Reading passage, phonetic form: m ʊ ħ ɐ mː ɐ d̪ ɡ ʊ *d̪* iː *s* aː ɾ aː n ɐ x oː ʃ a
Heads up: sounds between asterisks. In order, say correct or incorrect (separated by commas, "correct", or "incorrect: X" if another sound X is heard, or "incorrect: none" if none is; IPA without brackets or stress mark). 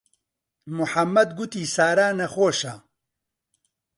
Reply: incorrect: t̪, correct